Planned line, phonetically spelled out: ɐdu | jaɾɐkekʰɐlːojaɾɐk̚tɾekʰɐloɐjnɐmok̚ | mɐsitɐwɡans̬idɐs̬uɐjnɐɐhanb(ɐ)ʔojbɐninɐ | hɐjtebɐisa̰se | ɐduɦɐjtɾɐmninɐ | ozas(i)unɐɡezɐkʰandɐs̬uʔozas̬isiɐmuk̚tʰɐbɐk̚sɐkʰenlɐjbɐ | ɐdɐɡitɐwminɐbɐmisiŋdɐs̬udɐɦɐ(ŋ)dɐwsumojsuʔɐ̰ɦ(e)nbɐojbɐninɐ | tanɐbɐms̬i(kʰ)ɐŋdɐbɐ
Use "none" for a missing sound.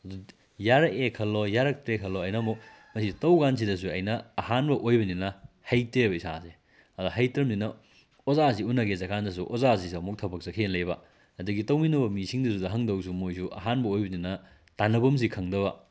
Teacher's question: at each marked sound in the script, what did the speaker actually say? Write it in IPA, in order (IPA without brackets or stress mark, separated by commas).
ɐ, i, ŋ, a, kʰ